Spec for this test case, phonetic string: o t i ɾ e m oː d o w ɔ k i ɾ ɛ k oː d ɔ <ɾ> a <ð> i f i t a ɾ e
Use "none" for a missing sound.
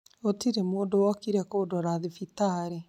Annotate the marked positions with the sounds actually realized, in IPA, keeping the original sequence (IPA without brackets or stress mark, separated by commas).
ɾ, ð